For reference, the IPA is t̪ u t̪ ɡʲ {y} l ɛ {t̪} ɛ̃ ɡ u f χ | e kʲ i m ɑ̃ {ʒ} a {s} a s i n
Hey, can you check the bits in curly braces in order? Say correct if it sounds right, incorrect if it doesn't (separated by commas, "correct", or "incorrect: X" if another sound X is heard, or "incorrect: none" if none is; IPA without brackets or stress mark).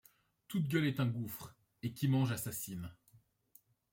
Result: incorrect: œ, correct, correct, correct